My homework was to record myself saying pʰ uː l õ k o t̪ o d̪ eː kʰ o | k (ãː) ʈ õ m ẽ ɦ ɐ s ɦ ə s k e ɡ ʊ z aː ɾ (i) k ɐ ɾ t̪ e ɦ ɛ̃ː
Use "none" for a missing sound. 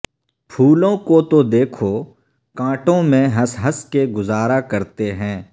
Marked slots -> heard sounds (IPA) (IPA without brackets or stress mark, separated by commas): ãː, a